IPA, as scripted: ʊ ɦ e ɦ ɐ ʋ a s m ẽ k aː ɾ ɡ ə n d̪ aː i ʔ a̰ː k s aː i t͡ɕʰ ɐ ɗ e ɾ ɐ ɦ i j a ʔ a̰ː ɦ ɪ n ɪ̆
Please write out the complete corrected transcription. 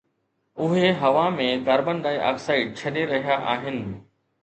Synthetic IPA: ʊ ɦ e ɦ ɐ ʋ a m ẽ k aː ɾ b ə n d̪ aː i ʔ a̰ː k s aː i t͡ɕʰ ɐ ɗ e ɾ ɐ ɦ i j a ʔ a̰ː ɦ ɪ n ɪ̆